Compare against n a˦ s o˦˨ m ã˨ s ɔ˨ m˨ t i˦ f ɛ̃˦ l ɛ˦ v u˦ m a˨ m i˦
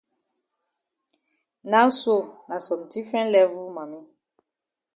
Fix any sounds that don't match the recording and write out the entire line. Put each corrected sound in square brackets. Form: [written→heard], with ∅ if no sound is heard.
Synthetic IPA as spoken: n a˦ s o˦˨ [m→n] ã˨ s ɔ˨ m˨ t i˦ f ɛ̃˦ l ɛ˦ v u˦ m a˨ m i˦